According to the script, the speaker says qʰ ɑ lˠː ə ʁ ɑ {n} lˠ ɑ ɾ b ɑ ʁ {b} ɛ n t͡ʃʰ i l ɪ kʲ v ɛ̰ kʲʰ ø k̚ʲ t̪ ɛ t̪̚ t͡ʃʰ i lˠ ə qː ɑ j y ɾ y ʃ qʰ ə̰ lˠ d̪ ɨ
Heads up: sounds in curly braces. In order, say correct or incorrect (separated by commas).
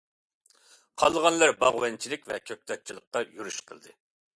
correct, incorrect